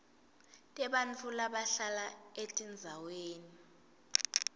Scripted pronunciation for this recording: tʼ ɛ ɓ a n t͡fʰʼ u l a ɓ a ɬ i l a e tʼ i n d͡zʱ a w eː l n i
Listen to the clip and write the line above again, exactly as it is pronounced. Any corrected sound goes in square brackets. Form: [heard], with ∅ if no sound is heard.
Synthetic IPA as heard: tʼ ɛ ɓ a n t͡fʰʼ u l a ɓ a ɬ [a] l a e tʼ i n d͡zʱ a w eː [∅] n i